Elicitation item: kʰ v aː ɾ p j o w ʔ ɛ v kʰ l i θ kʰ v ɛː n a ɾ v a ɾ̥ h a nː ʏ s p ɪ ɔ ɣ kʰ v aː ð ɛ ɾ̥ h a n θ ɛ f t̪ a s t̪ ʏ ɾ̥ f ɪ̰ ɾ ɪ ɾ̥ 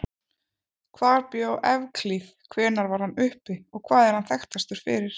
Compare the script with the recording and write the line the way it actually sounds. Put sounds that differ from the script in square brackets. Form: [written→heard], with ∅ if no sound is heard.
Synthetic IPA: kʰ v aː ɾ p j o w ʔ ɛ v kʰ l i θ kʰ v ɛː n a ɾ v a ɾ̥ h a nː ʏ [s→h] p ɪ ɔ ɣ kʰ v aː ð ɛ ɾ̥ h a n θ ɛ [f→x] t̪ a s t̪ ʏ ɾ̥ f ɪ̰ ɾ ɪ ɾ̥